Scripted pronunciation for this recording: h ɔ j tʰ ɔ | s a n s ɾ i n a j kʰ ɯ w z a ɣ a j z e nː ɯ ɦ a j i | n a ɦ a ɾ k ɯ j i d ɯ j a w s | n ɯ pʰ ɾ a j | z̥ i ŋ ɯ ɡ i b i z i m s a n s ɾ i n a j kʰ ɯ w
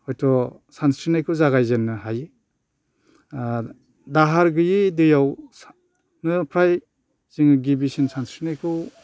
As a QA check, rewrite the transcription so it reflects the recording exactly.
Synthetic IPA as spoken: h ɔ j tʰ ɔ | s a n s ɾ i n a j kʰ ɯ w z a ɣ a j z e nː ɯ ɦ a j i | d a ɦ a ɾ ɡ ɯ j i d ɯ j a w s | n ɯ pʰ ɾ a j | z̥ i ŋ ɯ ɡ i b i s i n s a n s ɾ i n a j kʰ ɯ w